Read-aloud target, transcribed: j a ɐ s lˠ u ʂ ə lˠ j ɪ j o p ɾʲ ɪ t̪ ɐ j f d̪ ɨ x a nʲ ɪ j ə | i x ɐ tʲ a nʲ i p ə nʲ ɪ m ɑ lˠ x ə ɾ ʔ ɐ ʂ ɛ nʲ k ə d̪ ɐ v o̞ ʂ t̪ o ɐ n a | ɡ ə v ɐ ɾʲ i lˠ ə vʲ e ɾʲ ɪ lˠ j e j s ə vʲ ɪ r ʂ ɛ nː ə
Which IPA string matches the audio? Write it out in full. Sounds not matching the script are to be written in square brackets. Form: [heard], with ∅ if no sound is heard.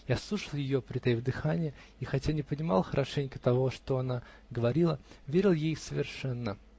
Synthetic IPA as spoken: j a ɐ s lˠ u ʂ ə lˠ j ɪ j o p ɾʲ ɪ t̪ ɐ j [v] d̪ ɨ x a nʲ ɪ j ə | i x ɐ tʲ a nʲ [ɪ] p ə nʲ ɪ m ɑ lˠ x ə ɾ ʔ ɐ ʂ ɛ nʲ k ə [t̪] ɐ v o̞ ʂ t̪ o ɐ n a | ɡ ə v ɐ ɾʲ i lˠ ə vʲ e ɾʲ ɪ lˠ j e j s ə vʲ ɪ r ʂ ɛ nː ə